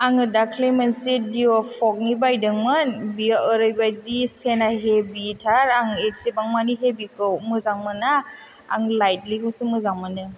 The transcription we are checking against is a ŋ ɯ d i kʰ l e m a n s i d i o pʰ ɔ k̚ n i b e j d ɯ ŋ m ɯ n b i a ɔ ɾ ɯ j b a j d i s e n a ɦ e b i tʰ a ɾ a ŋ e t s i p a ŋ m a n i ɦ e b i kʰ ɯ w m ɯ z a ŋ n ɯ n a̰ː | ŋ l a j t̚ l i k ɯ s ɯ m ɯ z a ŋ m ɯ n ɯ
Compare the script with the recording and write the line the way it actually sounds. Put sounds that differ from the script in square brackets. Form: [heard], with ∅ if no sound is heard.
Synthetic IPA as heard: a ŋ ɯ d [a] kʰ l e m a n s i d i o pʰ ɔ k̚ n i b [a] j d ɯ ŋ m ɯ n b i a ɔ ɾ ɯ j b a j d i s e n a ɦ e b i tʰ a ɾ a ŋ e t s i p a ŋ m a n i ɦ e b i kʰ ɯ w m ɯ z a ŋ [m] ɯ n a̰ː | ŋ l a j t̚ l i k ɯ s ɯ m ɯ z a ŋ m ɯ n ɯ